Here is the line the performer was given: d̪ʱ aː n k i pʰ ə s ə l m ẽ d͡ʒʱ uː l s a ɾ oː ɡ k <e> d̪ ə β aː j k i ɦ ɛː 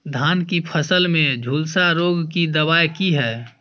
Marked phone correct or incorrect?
incorrect